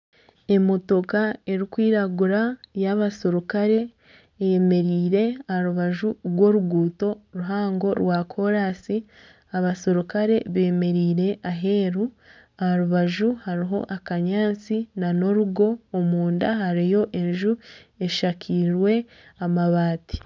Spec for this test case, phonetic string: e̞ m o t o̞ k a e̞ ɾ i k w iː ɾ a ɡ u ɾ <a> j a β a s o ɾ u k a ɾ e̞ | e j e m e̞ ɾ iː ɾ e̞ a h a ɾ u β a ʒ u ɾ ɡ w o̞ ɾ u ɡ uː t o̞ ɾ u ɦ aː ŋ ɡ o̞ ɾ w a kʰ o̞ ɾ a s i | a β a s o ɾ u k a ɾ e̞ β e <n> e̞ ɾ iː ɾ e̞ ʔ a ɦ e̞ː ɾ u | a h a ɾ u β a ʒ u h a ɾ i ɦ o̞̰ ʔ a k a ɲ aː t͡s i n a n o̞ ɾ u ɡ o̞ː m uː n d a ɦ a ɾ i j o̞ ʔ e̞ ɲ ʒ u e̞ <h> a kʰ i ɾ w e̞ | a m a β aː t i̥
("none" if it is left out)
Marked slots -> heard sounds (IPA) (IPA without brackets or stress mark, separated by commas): a, m, ʃ